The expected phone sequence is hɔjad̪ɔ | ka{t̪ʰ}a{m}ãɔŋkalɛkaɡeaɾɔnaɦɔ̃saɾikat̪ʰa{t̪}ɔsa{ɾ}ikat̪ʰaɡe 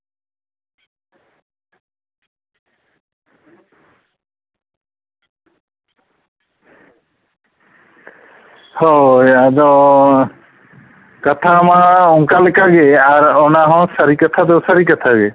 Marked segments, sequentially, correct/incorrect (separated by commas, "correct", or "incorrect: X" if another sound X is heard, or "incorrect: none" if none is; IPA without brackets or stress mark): correct, correct, incorrect: d̪, correct